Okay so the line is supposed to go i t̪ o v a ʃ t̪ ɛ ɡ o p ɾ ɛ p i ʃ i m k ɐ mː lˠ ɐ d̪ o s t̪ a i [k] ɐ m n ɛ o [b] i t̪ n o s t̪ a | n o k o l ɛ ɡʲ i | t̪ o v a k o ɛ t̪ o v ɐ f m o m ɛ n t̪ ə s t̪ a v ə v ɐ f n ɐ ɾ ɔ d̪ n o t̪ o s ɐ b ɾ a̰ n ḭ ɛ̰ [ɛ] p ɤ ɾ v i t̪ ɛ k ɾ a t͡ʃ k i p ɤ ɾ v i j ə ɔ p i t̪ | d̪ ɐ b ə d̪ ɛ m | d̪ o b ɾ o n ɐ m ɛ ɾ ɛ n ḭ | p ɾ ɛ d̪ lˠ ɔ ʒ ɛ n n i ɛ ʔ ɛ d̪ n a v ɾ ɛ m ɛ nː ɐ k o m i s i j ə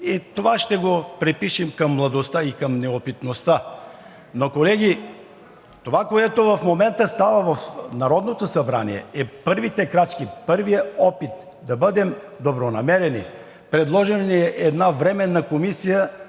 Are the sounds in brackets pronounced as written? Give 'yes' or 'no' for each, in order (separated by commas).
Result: yes, no, yes